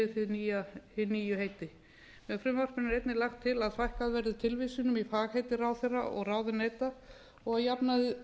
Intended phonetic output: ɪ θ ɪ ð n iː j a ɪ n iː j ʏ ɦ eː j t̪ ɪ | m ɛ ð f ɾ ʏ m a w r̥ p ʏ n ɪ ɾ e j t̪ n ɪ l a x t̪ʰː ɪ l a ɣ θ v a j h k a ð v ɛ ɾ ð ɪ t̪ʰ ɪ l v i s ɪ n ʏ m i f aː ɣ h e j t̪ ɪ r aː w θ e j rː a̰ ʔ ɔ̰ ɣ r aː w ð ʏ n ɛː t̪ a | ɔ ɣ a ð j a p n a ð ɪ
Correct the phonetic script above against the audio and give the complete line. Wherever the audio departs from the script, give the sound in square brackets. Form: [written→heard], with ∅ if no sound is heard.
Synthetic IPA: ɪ θ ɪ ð n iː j a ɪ n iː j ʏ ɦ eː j t̪ ɪ | m ɛ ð f ɾ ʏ m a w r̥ p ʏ n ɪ ɾ e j t̪ n ɪ l a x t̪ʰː ɪ l a [ɣ→ð] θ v a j h k a ð v ɛ ɾ ð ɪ t̪ʰ ɪ l v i s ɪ n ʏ m i f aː ɣ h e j t̪ ɪ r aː w θ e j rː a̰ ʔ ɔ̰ ɣ r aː w ð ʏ n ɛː t̪ a | ɔ ɣ a ð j a p n a ð ɪ